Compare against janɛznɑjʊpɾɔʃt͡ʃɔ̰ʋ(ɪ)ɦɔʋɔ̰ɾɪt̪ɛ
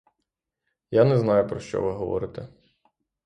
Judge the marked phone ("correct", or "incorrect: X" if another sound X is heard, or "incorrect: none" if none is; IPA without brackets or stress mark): correct